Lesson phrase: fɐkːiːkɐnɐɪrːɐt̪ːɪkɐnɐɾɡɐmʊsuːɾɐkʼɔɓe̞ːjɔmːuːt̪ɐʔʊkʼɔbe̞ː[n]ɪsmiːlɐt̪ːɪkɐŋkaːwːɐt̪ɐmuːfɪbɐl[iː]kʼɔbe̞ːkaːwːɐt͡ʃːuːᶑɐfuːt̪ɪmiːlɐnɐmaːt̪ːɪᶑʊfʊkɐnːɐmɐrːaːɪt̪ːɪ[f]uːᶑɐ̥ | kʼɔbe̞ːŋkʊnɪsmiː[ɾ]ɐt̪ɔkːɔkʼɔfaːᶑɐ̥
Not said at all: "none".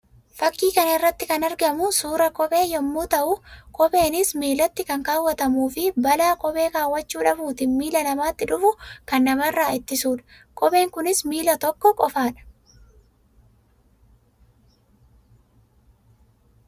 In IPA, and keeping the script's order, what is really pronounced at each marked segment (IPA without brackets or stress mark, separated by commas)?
n, aː, s, l